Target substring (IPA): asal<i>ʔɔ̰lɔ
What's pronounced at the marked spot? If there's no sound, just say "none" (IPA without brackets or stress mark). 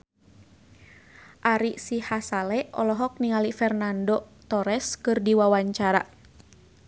ɛ